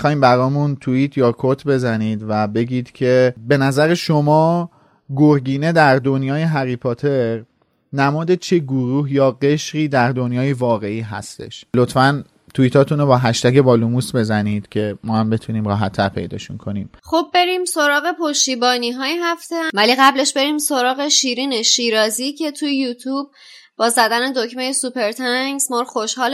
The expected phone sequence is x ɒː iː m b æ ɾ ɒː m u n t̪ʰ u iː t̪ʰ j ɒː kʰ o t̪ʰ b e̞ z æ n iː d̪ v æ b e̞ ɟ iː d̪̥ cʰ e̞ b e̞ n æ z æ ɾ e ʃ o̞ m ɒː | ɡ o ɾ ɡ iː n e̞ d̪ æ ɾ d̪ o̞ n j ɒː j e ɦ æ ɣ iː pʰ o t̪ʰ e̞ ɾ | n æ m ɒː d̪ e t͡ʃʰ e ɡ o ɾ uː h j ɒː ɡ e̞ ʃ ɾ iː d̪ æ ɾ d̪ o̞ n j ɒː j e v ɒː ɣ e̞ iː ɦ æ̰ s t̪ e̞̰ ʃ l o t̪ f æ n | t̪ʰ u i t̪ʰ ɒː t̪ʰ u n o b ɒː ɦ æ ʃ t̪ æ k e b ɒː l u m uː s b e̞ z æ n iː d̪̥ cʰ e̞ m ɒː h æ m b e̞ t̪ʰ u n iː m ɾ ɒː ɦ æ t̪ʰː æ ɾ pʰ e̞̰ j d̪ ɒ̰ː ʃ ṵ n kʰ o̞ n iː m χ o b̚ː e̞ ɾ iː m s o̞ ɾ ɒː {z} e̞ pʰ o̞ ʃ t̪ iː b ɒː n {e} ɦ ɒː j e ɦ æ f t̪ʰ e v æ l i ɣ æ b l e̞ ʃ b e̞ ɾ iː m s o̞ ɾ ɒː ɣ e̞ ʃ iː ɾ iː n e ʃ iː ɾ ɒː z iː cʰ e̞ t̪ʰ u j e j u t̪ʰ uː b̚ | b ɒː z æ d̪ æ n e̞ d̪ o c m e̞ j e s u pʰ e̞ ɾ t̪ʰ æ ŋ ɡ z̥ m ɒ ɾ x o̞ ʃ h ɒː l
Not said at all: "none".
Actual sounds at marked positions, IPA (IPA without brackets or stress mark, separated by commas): ɣ, i